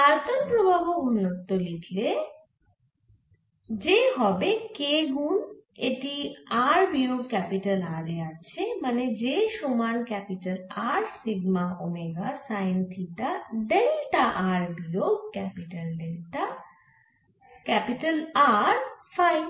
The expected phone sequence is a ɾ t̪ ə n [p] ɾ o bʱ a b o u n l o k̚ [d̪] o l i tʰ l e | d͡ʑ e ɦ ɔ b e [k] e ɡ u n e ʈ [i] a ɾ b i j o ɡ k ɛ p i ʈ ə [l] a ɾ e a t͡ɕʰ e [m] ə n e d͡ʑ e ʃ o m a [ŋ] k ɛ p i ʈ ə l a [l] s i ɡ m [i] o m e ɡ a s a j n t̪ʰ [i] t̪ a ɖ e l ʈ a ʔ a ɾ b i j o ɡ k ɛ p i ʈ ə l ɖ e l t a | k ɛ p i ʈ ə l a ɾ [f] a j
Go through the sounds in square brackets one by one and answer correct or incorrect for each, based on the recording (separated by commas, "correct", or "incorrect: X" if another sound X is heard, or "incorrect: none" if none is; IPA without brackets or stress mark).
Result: correct, incorrect: t̪, correct, correct, correct, correct, incorrect: n, incorrect: ɾ, incorrect: a, correct, correct